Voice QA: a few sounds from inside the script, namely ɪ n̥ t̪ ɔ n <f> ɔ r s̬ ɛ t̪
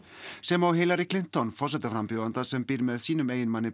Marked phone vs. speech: correct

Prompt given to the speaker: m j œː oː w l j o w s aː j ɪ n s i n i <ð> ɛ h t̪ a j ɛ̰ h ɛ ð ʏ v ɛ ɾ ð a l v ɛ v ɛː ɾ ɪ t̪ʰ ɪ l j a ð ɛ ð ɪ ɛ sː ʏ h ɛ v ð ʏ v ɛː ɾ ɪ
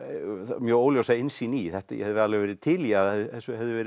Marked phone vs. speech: incorrect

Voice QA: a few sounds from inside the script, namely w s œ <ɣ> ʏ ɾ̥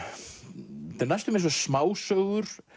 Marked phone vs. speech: correct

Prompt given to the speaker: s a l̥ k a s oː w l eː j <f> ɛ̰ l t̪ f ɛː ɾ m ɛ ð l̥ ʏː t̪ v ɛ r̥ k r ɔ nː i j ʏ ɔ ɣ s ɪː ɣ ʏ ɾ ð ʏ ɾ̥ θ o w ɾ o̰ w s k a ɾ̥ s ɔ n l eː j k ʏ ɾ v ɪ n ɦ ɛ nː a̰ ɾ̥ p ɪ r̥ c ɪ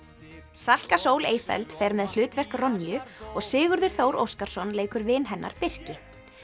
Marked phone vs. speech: correct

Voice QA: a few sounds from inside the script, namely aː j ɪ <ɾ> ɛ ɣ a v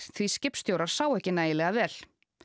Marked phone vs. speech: incorrect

